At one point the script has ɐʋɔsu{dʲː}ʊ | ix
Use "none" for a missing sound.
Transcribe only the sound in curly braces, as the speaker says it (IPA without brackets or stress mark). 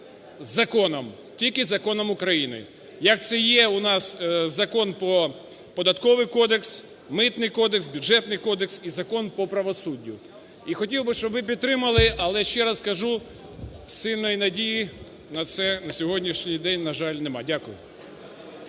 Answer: dʲː